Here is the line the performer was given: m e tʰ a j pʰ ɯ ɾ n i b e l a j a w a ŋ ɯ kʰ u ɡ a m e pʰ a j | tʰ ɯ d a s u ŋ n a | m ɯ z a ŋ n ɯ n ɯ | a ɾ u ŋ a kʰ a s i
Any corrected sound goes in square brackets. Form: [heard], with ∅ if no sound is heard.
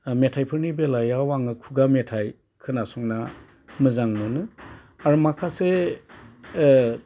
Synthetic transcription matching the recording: m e tʰ a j pʰ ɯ ɾ n i b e l a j a w a ŋ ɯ kʰ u ɡ a m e [tʰ] a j | [kʰ] ɯ [n] a s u ŋ n a | m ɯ z a ŋ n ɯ n ɯ | a ɾ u [m] a kʰ a s [e]

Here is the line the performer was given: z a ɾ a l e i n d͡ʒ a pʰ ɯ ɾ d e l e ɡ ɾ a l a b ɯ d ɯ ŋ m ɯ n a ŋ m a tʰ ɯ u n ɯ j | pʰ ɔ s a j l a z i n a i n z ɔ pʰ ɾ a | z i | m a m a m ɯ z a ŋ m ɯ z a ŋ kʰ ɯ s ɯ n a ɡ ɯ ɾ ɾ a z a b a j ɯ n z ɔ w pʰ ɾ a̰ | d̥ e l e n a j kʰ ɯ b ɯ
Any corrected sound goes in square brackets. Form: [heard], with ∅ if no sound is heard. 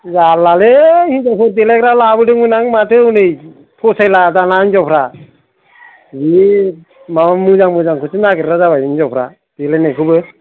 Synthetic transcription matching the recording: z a [l] a l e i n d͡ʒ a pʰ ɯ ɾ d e l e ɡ ɾ a l a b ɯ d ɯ ŋ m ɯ n a ŋ m a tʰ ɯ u n ɯ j | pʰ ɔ s a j l a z [a] n a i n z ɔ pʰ ɾ a | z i | m a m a m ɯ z a ŋ m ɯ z a ŋ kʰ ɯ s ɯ n a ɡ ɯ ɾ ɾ a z a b a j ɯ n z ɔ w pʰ ɾ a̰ | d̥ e l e n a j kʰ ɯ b ɯ

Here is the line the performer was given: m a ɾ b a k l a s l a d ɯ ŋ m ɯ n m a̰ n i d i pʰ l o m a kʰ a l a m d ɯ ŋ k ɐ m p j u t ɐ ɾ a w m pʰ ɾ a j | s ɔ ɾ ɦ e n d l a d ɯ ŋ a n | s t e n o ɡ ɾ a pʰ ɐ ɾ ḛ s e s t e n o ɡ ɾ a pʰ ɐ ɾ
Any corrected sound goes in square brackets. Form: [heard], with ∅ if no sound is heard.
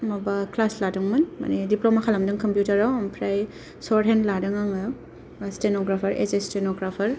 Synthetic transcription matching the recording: m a [∅] b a k l a s l a d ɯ ŋ m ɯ n m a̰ n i d i [p] l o m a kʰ a l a m d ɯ ŋ k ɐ m p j u t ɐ ɾ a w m pʰ ɾ a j | s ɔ ɾ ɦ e n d l a d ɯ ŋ a [ŋ] | s t e n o ɡ ɾ a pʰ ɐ ɾ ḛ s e s t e n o ɡ ɾ a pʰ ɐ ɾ

